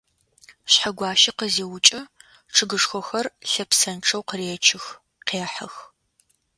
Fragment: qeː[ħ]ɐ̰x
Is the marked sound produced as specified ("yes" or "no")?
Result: yes